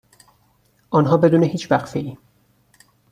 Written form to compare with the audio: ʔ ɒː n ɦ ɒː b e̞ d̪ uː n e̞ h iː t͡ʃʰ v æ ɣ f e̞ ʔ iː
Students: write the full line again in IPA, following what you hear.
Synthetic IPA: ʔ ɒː n ɦ ɒː b e̞ d̪ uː n e̞ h iː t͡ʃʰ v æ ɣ f e̞ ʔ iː